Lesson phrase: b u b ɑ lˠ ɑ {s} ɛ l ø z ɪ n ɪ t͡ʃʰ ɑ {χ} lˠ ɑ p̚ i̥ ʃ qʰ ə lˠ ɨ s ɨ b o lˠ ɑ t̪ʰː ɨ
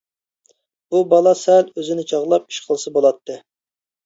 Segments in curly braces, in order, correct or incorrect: correct, incorrect: ʁ

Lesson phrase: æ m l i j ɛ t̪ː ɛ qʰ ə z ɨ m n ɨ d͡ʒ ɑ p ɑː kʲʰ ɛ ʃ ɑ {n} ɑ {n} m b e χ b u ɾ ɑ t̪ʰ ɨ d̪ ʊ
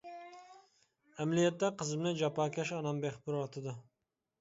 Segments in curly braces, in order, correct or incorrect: correct, incorrect: none

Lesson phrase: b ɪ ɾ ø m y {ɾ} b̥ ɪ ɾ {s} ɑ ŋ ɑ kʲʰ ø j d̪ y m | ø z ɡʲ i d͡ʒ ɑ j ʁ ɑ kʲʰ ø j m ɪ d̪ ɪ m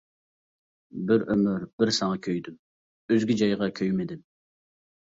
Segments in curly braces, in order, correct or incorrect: correct, correct

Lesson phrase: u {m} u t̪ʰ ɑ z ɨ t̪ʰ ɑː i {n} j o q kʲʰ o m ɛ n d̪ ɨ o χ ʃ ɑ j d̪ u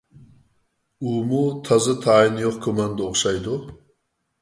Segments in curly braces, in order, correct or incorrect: correct, correct

